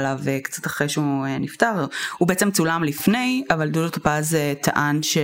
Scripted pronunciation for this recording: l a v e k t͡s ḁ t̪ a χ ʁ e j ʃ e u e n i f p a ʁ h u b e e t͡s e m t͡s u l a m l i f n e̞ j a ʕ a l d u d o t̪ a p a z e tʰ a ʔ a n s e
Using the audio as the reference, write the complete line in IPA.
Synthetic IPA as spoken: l a v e k t͡s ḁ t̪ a χ ʁ e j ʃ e u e n i f t a ʁ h u b e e t͡s e m t͡s u l a m l i f n e̞ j a v a l d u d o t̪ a p a z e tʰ a ʔ a n ʃ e